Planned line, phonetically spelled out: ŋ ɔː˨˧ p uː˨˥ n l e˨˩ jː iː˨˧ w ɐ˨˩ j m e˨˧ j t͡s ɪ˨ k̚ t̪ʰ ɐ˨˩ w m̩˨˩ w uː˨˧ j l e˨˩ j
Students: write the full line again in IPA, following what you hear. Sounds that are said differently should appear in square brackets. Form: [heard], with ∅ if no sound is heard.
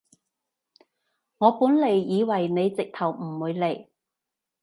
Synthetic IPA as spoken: ŋ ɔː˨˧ p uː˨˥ n l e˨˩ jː iː˨˧ w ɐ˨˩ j [n] e˨˧ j t͡s ɪ˨ k̚ t̪ʰ ɐ˨˩ w m̩˨˩ w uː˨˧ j l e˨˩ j